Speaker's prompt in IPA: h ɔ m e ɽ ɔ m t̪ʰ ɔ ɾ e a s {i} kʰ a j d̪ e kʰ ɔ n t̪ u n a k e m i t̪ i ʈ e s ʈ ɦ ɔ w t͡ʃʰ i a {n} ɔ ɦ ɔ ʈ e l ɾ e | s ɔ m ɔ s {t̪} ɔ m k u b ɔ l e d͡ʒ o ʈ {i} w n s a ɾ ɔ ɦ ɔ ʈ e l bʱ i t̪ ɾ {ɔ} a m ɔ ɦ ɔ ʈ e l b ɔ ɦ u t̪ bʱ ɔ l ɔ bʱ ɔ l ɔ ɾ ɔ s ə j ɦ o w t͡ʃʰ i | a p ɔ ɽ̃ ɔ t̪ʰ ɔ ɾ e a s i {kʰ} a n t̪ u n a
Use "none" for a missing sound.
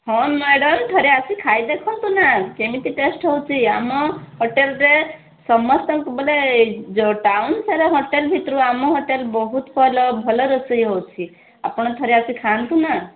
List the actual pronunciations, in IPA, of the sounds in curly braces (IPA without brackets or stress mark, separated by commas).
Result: i, m, t̪, a, u, kʰ